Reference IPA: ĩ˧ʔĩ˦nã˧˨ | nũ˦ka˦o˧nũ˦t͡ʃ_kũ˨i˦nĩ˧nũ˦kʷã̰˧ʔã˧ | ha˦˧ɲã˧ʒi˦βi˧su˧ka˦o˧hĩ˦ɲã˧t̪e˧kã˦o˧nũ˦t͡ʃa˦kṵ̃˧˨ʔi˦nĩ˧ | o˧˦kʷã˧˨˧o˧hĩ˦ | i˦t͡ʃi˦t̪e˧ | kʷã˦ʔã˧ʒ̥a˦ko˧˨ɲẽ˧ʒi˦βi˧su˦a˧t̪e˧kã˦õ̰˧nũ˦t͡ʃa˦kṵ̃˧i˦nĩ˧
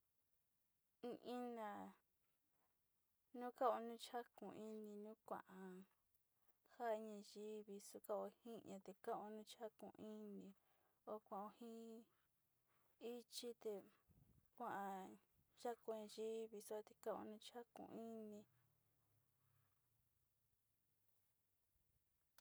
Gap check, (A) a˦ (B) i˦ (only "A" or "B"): A